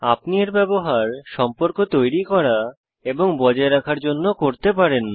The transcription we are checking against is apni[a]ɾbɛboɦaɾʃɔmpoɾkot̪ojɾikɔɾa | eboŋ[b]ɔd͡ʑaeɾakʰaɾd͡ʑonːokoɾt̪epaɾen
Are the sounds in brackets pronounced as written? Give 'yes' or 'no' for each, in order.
no, yes

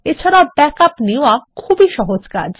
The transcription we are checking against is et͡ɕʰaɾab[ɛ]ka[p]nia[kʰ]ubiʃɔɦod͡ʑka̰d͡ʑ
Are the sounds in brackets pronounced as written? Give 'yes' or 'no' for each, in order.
yes, yes, yes

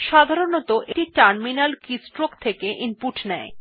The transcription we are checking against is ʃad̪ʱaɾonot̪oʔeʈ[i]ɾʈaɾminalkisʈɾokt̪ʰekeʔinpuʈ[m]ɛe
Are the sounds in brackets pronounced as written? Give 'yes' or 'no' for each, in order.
yes, no

